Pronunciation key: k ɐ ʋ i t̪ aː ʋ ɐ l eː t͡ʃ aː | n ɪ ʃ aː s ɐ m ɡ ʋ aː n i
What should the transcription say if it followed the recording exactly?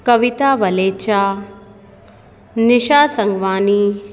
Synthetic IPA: k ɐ ʋ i t̪ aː ʋ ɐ l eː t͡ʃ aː | n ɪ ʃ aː s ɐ ŋ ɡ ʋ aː n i